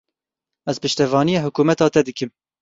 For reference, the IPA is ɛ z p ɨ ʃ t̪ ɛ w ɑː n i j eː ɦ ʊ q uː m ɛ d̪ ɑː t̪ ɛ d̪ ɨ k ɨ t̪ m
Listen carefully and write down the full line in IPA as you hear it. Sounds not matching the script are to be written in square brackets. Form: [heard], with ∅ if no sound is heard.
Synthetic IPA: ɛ z p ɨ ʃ t̪ ɛ [v] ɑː n i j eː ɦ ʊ [k] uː m ɛ [t̪] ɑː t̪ ɛ d̪ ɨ k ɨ [∅] m